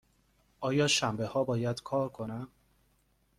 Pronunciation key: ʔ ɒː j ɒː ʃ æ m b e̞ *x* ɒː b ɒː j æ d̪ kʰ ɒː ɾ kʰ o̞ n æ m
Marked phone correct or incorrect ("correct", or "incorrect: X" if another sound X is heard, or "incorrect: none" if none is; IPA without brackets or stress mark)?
incorrect: h